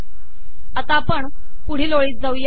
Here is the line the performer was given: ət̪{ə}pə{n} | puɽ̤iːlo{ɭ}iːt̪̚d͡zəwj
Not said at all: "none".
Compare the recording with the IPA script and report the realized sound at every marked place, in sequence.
a, ɳ, ɭ

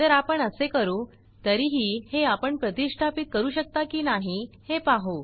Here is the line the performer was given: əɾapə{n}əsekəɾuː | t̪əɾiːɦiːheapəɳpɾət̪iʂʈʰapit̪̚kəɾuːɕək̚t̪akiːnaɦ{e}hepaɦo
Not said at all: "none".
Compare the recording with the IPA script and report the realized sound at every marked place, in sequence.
ɳ, i

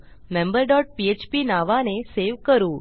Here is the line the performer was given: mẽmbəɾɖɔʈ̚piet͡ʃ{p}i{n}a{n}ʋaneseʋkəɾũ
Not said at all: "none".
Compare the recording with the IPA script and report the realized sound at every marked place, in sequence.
p, n, none

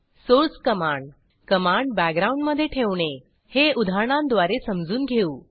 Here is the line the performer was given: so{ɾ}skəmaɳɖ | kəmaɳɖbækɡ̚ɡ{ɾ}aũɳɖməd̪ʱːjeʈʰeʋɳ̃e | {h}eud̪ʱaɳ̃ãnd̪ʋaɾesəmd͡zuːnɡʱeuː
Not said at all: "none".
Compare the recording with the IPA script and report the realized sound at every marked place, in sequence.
ɾ, ɾ, h

